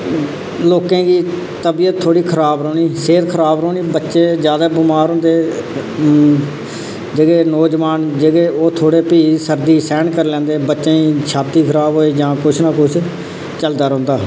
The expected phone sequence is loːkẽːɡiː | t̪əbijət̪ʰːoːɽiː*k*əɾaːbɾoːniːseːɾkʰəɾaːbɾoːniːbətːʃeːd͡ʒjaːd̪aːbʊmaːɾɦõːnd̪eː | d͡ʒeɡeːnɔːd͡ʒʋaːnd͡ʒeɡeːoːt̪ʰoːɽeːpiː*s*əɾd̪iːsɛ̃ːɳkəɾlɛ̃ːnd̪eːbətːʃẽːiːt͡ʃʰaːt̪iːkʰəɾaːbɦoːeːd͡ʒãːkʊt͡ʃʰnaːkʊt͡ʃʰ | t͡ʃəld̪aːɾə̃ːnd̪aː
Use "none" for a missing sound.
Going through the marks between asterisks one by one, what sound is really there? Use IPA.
kʰ, s

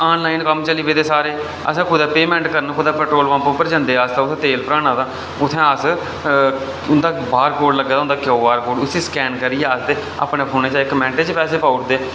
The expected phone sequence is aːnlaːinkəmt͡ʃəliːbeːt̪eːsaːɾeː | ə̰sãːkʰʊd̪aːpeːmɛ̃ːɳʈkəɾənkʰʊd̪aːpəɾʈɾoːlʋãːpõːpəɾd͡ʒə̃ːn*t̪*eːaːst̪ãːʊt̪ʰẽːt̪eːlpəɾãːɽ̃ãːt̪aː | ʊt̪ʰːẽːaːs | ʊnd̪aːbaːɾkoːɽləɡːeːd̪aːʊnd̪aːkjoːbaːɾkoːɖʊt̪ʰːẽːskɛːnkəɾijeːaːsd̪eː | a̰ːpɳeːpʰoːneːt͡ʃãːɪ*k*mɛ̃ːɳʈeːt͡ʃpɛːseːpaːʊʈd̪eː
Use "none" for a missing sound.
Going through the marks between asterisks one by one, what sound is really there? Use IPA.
d̪, k

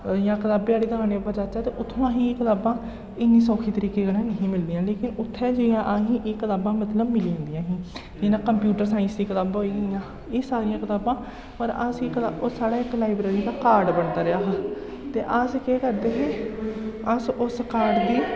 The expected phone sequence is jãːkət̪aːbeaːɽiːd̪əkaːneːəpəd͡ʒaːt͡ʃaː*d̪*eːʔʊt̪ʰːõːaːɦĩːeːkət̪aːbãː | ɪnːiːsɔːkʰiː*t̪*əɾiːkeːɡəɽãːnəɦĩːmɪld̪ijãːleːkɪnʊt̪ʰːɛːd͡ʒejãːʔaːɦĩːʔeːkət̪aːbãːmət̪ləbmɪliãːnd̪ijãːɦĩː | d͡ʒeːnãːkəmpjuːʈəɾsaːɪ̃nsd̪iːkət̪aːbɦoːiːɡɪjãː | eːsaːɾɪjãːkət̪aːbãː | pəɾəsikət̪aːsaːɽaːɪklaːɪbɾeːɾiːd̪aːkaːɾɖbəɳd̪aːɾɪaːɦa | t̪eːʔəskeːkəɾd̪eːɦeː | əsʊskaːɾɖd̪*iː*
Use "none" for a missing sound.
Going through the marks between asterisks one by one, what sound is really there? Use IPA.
t̪, t̪, iː

